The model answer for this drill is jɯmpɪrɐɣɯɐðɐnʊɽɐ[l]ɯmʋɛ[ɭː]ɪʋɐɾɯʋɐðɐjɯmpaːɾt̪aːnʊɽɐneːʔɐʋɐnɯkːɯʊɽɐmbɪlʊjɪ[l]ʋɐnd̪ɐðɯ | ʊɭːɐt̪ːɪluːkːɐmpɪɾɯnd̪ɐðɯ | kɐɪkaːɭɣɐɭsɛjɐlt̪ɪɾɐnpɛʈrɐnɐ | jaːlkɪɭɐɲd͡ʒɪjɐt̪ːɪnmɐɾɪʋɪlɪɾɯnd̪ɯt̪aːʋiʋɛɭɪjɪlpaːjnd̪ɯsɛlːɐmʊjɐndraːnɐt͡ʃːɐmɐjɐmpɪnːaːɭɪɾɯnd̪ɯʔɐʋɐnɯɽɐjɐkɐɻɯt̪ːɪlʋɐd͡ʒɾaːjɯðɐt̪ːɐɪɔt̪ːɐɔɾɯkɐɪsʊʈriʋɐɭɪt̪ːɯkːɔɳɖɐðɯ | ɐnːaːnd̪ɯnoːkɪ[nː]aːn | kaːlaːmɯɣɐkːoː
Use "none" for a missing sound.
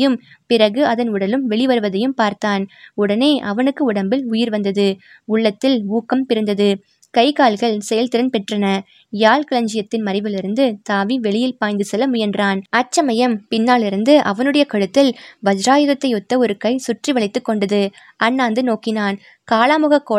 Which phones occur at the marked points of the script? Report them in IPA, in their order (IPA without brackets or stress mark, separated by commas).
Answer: l, ɭ, ɾ, n